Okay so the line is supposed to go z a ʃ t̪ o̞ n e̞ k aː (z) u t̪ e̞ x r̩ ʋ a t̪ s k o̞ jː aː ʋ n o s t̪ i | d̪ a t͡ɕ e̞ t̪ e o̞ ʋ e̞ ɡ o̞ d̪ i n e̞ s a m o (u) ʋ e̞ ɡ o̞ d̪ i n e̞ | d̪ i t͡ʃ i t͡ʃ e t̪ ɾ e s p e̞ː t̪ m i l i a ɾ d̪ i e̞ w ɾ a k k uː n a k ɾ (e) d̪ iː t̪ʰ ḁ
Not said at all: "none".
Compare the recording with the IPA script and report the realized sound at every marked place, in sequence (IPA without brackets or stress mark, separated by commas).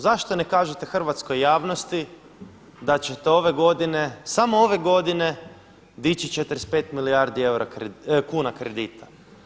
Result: ʒ, o, e